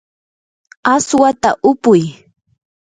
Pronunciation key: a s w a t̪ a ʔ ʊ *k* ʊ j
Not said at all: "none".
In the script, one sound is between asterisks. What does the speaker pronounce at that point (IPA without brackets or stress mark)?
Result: p